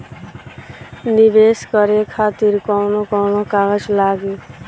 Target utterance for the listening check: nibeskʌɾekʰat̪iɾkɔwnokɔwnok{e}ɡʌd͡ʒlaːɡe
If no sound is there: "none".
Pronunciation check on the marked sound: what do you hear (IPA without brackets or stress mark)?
a